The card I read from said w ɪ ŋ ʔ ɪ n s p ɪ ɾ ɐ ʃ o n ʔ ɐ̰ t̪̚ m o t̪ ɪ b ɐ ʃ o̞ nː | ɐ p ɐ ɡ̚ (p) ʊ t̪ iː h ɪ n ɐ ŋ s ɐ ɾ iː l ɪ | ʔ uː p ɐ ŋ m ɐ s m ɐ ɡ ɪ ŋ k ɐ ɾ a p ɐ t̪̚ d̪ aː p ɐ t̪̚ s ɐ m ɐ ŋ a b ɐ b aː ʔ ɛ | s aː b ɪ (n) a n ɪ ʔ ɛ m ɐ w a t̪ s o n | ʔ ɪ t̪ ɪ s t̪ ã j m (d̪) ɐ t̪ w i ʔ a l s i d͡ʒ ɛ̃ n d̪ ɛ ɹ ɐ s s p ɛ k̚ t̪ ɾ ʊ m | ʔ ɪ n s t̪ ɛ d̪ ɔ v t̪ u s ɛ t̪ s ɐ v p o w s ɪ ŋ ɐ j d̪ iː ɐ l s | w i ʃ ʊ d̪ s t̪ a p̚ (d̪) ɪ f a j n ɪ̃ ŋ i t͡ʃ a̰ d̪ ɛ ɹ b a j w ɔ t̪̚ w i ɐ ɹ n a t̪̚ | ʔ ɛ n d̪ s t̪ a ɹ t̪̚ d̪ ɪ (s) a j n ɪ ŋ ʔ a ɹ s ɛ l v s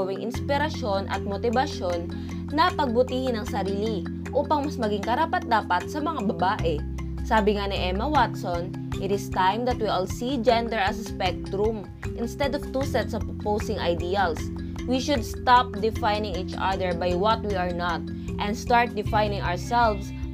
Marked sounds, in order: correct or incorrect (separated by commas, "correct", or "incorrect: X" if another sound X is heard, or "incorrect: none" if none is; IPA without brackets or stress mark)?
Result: incorrect: b, incorrect: ŋ, correct, correct, incorrect: f